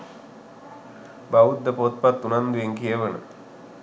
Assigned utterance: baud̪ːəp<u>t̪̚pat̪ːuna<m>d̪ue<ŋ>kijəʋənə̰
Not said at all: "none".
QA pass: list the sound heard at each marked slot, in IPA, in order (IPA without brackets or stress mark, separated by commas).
o, n, ŋ